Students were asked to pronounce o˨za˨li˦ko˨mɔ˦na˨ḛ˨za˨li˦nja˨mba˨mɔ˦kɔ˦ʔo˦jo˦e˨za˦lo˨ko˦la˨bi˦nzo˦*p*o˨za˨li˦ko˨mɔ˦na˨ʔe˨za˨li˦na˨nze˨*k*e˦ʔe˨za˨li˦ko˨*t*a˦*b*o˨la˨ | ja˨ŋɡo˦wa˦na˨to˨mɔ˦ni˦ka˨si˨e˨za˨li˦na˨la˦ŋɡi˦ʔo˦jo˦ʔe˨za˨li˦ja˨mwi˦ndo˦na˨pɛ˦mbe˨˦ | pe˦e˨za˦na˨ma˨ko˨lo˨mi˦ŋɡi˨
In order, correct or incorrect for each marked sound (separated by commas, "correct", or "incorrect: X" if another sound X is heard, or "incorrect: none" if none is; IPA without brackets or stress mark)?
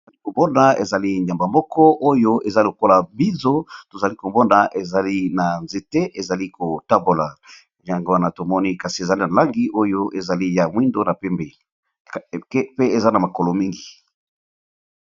incorrect: t, incorrect: t, correct, correct